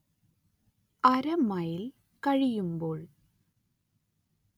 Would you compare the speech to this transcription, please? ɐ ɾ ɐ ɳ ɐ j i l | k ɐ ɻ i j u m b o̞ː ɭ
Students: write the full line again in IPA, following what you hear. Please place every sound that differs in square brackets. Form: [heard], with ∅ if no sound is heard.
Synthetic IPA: ɐ ɾ ɐ [m] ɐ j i l | k ɐ ɻ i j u m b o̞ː ɭ